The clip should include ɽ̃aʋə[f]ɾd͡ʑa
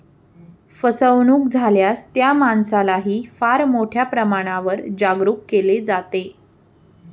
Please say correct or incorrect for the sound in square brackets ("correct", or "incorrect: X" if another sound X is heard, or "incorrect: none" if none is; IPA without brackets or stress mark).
incorrect: none